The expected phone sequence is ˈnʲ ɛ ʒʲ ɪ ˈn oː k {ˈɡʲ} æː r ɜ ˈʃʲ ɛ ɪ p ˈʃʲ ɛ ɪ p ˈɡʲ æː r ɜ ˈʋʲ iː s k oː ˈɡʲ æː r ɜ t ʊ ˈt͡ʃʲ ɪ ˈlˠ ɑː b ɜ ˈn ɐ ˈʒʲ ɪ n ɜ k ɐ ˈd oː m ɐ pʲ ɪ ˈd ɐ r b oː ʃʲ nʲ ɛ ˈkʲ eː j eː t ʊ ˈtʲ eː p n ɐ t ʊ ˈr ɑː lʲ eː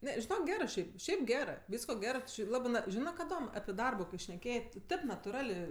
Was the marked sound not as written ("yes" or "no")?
no